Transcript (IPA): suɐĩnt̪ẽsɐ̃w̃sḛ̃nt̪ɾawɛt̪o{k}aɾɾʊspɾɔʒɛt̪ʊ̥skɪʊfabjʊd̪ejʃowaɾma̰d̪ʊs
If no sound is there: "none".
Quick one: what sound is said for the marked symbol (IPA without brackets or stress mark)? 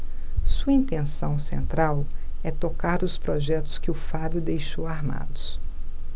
k